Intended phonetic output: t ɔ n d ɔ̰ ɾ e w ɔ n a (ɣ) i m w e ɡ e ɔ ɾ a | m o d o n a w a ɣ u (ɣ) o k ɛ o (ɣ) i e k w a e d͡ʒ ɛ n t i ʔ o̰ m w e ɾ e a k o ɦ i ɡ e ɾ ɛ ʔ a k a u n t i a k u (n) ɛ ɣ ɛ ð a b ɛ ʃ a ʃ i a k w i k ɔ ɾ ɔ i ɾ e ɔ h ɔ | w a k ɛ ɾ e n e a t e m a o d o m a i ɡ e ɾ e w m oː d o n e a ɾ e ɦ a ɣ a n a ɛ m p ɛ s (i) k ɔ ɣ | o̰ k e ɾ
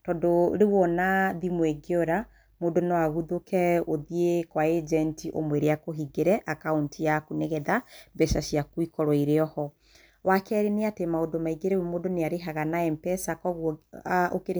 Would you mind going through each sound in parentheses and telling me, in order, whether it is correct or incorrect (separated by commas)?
incorrect, incorrect, incorrect, correct, incorrect